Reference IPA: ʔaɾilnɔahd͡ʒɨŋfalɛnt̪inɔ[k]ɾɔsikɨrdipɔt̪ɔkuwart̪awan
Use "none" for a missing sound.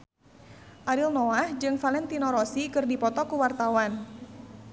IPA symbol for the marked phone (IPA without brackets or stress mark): none